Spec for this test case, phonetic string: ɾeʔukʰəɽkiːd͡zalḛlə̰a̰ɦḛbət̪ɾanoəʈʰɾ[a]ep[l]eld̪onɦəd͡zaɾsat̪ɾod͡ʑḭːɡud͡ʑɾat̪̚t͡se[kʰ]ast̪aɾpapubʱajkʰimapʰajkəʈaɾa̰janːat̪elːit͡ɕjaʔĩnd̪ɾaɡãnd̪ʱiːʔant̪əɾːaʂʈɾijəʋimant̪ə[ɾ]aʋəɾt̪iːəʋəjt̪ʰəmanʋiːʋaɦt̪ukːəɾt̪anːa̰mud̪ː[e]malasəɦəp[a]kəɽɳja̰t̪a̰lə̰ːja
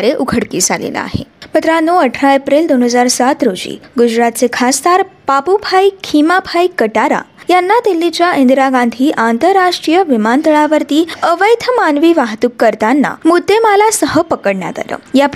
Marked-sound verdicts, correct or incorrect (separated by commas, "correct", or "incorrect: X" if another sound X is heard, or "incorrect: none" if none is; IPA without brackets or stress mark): correct, incorrect: ɾ, correct, incorrect: ɭ, correct, incorrect: ə